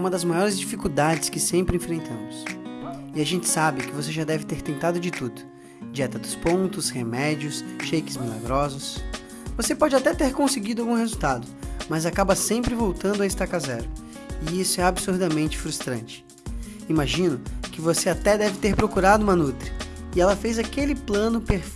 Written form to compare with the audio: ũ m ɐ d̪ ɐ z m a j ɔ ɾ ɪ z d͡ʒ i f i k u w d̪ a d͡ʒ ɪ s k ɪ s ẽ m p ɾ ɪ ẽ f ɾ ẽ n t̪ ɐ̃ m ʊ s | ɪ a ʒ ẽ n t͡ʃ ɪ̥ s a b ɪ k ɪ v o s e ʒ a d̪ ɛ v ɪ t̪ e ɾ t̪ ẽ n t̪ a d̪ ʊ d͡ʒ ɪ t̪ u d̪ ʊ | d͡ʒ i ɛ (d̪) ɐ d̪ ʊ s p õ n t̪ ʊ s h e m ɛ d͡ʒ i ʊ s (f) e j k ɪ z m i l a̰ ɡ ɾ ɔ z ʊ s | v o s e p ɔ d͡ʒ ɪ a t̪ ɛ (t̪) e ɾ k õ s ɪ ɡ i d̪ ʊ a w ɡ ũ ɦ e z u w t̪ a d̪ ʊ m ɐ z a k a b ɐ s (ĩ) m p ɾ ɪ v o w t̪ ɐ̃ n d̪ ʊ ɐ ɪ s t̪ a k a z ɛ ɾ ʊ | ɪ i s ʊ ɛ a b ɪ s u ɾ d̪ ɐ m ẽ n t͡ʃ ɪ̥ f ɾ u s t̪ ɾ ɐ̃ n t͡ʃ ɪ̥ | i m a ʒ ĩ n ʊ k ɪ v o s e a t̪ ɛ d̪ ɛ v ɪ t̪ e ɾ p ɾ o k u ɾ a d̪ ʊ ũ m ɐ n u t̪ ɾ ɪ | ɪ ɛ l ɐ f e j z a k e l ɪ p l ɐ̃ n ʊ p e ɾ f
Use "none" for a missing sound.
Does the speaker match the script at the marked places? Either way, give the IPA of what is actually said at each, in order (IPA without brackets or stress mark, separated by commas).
t̪, ʃ, t̪, ẽ